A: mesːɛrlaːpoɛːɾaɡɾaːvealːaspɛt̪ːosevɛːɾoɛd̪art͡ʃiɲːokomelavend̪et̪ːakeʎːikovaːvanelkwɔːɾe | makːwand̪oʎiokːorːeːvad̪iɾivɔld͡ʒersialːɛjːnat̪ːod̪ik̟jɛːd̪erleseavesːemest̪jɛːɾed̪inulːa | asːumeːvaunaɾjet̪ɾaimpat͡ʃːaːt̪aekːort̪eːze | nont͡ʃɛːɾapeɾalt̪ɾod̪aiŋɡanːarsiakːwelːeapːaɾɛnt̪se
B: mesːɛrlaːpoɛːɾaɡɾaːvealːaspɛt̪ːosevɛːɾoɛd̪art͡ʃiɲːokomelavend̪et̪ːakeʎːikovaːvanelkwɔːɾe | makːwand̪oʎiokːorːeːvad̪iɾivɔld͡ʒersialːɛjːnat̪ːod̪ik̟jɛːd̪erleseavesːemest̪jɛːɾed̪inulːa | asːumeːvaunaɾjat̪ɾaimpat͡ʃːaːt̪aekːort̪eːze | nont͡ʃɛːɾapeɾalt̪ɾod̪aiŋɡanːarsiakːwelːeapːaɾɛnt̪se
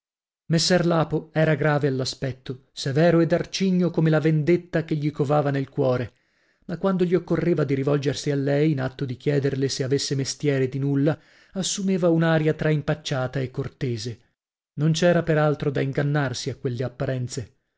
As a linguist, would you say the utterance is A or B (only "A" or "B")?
B